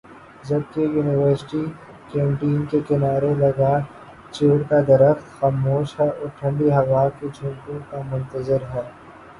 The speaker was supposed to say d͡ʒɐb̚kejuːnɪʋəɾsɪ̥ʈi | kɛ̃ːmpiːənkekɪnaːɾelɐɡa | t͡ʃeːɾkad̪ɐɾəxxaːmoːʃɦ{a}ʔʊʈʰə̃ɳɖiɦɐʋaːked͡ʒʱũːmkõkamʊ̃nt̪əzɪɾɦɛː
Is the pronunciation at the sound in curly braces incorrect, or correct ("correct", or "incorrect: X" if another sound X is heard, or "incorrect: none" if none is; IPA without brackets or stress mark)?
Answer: incorrect: ɛ